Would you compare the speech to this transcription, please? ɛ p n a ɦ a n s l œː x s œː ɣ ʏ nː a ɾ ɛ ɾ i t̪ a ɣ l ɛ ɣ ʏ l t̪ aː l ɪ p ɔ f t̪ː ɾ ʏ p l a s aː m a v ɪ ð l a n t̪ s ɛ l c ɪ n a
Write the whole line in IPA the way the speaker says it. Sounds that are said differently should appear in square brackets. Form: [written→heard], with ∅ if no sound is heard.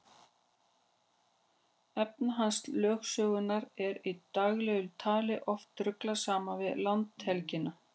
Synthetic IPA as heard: ɛ p n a ɦ a n s l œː x s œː ɣ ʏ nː a ɾ ɛ ɾ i t̪ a ɣ l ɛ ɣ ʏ l [t̪→t̪ʰ] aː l ɪ [p→ʔ] ɔ f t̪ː ɾ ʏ [p→k] l a s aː m a v ɪ ð l a n t̪ [s→h] ɛ l c ɪ n a